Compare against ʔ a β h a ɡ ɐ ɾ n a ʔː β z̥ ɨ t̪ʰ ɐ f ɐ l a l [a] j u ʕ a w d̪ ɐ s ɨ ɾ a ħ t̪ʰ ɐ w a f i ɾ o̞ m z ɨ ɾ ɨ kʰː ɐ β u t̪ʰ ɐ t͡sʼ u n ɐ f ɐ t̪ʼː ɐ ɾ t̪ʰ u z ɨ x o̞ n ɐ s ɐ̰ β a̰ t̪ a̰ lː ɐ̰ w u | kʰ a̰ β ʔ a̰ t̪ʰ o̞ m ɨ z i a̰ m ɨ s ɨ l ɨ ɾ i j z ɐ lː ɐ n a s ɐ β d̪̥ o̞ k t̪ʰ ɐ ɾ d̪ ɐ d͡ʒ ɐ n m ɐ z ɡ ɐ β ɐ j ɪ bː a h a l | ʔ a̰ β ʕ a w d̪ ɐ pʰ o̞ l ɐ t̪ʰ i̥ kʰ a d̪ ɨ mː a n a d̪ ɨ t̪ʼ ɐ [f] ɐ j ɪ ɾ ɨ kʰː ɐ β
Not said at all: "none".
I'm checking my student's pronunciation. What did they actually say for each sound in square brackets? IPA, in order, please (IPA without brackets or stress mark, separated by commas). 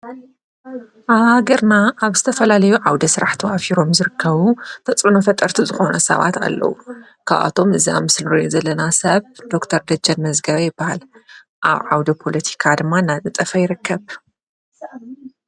ɐ, f